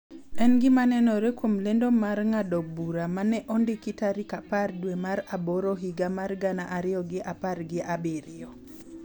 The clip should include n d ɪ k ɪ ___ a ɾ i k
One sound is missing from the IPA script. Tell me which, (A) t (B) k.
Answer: A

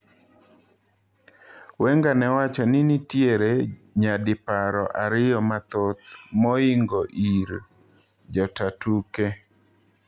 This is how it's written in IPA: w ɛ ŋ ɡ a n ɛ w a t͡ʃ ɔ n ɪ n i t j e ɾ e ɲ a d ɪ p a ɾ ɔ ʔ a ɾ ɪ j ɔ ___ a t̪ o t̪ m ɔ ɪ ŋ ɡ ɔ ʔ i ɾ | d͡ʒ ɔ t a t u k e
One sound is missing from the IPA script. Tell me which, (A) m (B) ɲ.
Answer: A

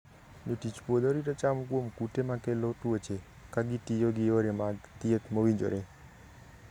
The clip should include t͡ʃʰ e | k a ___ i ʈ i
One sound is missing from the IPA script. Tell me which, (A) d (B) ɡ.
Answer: B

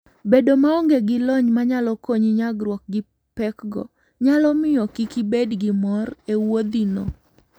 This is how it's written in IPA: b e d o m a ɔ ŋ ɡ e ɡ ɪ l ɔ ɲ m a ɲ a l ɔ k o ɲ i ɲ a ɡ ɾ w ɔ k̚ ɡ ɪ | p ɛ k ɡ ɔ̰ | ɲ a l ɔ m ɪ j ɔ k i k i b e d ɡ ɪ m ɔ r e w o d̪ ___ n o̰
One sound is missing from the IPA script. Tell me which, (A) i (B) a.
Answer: A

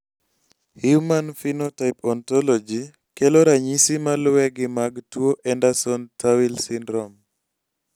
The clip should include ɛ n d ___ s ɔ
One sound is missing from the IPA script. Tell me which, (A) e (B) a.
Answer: B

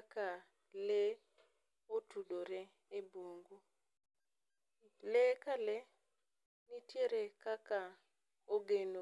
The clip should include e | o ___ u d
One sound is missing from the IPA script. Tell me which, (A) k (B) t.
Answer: B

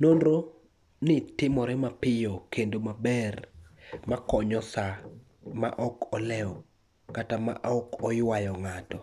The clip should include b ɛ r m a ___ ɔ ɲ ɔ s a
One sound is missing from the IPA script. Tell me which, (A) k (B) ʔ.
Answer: A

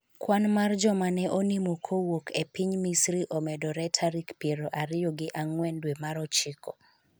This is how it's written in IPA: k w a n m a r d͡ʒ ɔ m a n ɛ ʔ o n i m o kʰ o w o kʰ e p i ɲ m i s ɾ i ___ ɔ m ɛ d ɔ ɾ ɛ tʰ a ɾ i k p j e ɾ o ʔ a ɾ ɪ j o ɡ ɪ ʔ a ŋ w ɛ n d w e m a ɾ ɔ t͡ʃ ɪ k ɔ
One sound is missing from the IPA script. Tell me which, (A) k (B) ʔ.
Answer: B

